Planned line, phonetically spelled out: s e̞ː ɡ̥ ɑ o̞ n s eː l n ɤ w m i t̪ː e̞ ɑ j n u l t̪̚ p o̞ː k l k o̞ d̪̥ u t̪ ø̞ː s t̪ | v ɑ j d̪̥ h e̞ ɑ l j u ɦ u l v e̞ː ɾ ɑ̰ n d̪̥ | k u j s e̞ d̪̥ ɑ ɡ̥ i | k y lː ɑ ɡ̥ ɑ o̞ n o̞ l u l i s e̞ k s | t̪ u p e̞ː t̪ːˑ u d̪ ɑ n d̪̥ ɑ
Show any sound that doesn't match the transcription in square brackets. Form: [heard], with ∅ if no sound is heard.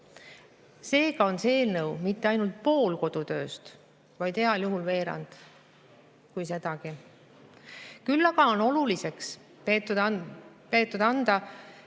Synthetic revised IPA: s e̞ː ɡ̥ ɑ o̞ n s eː l n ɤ w m i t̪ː e̞ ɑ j n u l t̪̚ p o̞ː [∅] l k o̞ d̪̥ u t̪ ø̞ː s t̪ | v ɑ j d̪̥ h e̞ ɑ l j u ɦ u l v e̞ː ɾ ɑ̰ n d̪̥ | k u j s e̞ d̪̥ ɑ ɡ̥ i | k y lː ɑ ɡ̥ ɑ o̞ n o̞ l u l i s e̞ k s | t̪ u p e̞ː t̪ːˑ u d̪ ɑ n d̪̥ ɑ